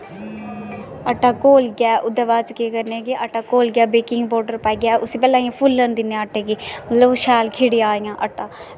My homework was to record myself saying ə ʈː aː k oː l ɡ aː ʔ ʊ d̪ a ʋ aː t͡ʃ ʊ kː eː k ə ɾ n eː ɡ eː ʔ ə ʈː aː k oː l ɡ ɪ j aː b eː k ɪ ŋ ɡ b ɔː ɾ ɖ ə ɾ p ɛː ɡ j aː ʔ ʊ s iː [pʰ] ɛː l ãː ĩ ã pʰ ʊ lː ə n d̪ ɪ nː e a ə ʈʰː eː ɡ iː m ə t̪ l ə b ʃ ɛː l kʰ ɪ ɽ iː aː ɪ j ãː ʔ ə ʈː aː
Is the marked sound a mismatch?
yes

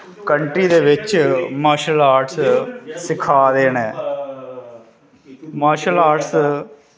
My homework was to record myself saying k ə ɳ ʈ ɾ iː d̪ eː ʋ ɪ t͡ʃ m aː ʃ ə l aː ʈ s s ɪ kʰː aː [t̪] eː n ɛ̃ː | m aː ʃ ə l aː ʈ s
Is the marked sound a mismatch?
yes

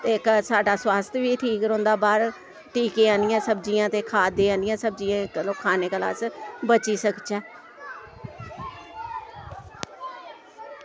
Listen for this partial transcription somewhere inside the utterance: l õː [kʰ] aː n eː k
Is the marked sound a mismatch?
no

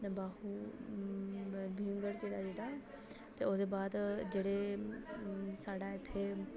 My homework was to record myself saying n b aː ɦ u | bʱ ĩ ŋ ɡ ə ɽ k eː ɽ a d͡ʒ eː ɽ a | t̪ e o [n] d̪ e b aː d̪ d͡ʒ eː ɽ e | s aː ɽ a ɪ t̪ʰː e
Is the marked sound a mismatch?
yes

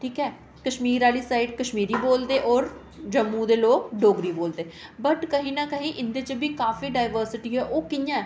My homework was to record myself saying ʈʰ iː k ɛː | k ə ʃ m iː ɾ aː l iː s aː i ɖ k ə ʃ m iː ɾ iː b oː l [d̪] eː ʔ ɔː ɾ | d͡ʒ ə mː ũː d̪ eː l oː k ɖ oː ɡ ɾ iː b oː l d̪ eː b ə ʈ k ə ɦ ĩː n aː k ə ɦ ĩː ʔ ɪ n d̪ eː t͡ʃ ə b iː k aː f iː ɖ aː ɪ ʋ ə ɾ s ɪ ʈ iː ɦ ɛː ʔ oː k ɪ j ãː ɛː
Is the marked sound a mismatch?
no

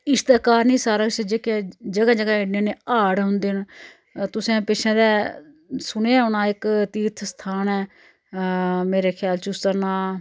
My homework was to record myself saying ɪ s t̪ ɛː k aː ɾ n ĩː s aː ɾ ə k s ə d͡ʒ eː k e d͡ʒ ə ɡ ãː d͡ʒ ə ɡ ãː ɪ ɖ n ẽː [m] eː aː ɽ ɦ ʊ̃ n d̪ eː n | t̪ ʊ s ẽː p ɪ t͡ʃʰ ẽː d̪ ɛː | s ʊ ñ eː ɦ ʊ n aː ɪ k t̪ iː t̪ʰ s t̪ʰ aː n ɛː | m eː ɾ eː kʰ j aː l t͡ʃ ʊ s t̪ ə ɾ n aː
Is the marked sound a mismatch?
yes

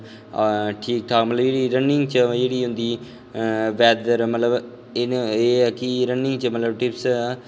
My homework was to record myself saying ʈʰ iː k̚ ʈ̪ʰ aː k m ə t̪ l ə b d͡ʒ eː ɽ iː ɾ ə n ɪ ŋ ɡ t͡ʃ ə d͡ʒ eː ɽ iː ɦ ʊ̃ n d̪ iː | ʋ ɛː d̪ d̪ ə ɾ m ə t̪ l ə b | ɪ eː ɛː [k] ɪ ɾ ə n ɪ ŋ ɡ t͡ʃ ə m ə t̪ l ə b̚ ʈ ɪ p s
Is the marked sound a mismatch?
no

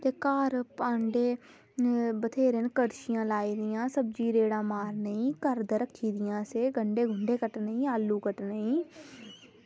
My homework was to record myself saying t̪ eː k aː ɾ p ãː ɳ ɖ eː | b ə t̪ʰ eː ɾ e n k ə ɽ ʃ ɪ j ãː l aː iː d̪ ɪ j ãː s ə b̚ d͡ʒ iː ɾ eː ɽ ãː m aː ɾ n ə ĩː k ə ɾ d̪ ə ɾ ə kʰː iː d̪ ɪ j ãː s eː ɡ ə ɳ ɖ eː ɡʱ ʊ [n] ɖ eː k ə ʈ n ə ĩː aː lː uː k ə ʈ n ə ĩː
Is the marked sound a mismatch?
yes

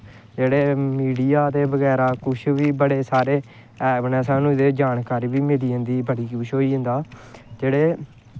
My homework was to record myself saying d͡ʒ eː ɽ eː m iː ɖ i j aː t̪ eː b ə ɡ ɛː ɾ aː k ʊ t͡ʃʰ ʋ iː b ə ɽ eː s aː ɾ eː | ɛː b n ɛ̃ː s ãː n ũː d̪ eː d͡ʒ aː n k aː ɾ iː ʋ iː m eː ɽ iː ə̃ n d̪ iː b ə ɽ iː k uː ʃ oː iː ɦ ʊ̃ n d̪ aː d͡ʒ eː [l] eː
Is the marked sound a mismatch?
yes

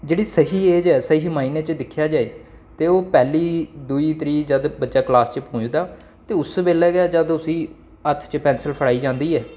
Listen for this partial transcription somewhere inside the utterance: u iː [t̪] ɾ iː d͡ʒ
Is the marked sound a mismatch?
no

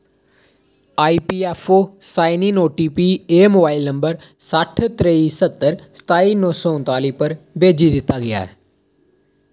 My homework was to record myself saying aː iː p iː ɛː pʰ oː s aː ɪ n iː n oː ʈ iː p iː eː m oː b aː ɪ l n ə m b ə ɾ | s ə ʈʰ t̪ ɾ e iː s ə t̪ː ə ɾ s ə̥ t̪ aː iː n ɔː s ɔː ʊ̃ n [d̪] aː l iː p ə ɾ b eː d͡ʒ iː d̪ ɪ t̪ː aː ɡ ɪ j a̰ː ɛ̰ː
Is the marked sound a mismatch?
yes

